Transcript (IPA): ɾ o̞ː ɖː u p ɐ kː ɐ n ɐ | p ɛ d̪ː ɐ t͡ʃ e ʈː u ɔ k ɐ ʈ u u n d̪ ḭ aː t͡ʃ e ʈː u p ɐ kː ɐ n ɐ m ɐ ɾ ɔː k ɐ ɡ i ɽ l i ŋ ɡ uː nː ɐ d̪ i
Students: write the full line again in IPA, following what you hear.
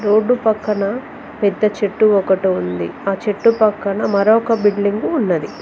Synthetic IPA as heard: ɾ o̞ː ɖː u p ɐ kː ɐ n ɐ | p ɛ d̪ː ɐ t͡ʃ e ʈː u ɔ k ɐ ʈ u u n d̪ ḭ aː t͡ʃ e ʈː u p ɐ kː ɐ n ɐ m ɐ ɾ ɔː k ɐ b i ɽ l i ŋ ɡ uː nː ɐ d̪ i